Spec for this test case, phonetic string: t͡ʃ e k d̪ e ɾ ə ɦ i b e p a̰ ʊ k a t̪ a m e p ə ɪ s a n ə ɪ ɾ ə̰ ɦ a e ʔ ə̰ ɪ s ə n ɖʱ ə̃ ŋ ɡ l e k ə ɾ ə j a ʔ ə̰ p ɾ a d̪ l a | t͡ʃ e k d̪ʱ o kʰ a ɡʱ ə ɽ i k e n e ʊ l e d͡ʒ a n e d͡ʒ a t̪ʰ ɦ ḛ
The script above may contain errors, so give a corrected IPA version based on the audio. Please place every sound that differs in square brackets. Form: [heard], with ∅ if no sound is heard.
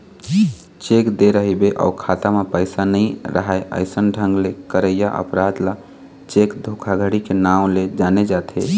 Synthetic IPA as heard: t͡ʃ e k d̪ e ɾ ə ɦ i b e [ʔ] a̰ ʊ [kʰ] a t̪ a m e p ə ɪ s a n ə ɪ ɾ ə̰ ɦ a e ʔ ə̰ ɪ s ə n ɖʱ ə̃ ŋ ɡ l e k ə ɾ ə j a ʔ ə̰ p ɾ a d̪ l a | t͡ʃ e k d̪ʱ o kʰ a ɡʱ ə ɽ i k e n [a] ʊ l e d͡ʒ a n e d͡ʒ a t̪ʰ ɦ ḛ